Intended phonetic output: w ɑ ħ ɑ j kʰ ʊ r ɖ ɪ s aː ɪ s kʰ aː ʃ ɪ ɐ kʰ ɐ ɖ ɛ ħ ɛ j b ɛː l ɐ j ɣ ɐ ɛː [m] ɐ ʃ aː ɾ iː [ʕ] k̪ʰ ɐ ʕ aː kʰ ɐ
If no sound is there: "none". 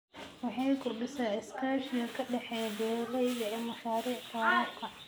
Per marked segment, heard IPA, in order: m, ʕ

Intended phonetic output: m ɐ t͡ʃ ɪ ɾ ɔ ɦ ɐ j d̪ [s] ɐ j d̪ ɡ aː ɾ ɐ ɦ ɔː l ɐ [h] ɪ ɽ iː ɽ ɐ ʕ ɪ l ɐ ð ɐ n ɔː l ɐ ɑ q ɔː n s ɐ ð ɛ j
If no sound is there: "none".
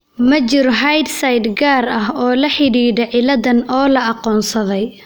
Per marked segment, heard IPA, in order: s, ħ

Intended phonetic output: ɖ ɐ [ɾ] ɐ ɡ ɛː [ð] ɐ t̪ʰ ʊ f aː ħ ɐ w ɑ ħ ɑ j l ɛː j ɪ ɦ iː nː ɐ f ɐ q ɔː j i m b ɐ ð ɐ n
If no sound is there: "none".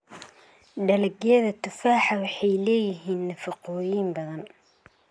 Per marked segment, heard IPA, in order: l, ð

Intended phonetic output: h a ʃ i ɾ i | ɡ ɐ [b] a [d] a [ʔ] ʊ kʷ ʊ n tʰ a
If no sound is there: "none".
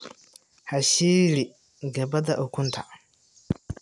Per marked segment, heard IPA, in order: b, d, ʔ

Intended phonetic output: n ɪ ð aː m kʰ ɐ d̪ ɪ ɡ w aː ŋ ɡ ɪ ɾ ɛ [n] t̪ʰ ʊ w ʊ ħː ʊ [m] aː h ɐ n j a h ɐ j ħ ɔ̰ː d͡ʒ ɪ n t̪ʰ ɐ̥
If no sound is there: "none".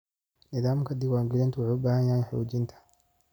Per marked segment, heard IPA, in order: n, b

